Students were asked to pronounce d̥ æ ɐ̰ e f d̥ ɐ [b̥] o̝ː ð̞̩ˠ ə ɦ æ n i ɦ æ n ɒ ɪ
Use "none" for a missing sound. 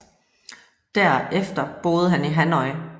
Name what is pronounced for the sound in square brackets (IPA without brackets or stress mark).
b̥